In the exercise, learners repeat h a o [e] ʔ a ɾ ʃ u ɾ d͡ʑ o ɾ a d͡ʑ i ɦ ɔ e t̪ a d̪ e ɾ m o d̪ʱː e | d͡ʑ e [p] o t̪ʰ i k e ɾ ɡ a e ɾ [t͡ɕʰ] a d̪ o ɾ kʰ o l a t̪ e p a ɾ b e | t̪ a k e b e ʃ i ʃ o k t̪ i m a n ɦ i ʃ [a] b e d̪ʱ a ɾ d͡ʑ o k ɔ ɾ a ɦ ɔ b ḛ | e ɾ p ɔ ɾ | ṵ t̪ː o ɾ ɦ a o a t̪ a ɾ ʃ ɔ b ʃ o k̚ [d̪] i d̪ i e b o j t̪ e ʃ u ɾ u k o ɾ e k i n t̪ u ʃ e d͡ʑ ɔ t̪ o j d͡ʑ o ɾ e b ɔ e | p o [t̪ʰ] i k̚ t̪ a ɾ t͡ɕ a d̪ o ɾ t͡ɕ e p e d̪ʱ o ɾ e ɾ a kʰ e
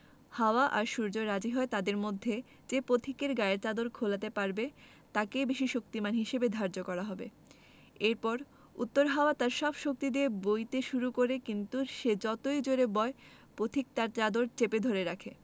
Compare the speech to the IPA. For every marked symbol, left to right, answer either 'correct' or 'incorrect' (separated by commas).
incorrect, correct, incorrect, incorrect, incorrect, correct